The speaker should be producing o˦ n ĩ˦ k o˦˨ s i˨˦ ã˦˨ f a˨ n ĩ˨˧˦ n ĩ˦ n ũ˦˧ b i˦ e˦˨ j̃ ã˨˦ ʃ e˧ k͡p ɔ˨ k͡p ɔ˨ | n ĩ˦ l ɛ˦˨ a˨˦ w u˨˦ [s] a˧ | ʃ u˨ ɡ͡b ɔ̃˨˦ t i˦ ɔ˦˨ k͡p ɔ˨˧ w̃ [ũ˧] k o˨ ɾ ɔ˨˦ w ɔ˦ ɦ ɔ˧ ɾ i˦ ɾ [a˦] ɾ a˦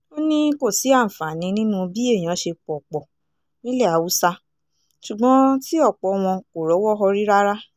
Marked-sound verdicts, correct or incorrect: correct, incorrect: ɔ̃˧, correct

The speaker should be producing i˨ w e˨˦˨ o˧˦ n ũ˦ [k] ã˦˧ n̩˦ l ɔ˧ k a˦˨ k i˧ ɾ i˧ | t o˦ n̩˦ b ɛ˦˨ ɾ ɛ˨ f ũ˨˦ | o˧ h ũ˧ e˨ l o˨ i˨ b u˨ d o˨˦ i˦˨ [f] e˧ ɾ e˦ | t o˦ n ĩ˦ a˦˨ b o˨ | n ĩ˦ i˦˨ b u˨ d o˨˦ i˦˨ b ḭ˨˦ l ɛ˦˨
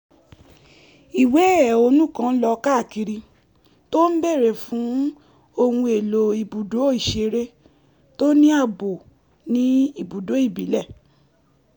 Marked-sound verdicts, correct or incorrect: correct, incorrect: ʃ

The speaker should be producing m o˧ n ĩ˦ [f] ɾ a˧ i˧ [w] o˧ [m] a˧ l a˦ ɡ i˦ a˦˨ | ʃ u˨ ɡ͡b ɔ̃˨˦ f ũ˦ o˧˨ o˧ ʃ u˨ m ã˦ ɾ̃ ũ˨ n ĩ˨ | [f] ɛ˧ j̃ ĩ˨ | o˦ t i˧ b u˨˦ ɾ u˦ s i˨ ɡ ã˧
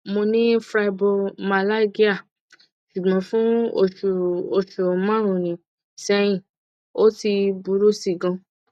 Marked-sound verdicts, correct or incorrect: correct, incorrect: b, correct, incorrect: s

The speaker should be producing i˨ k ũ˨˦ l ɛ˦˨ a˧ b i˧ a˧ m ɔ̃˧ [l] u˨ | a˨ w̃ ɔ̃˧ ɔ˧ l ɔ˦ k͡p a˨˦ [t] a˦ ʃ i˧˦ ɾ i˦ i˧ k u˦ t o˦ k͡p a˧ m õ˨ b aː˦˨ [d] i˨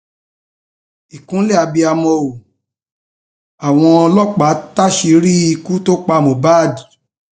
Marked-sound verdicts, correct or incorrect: incorrect: none, correct, correct

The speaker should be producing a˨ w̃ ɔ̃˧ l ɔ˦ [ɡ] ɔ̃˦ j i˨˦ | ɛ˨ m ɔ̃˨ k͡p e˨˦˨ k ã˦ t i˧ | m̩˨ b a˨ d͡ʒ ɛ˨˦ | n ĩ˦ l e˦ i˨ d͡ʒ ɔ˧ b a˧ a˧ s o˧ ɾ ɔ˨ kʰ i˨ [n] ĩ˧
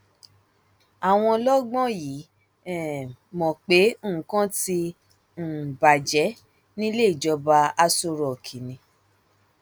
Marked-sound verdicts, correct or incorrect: incorrect: ɡ͡b, correct

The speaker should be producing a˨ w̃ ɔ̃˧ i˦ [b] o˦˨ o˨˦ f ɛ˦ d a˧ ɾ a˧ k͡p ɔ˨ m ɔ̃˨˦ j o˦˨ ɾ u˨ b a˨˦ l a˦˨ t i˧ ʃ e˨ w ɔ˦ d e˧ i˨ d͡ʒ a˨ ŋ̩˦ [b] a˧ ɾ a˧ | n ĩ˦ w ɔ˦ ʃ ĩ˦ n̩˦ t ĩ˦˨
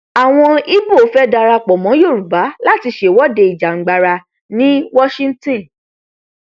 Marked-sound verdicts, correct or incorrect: correct, incorrect: ɡ͡b

